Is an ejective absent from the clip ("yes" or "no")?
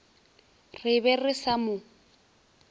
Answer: yes